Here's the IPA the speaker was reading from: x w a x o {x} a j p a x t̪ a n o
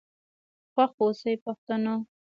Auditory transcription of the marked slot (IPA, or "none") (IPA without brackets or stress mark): s